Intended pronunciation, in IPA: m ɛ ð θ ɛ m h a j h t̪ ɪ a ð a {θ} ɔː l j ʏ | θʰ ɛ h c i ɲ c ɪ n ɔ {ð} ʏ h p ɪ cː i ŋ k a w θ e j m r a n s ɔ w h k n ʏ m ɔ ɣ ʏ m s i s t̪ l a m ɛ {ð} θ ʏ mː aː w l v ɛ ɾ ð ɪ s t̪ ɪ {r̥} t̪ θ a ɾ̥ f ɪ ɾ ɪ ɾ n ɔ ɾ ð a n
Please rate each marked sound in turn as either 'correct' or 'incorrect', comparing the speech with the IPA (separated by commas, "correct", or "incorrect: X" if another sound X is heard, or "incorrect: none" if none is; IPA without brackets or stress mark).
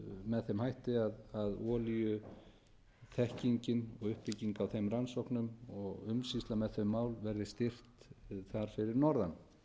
incorrect: ð, incorrect: ɣ, correct, correct